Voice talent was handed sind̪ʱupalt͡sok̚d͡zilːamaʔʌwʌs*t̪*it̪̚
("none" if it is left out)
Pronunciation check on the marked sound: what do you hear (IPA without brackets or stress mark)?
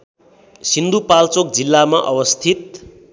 t̪ʰ